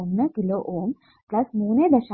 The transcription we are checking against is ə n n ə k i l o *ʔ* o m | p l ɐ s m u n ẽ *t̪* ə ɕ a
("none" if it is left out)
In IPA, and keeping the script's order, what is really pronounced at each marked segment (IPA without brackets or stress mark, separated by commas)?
ʔ, d̪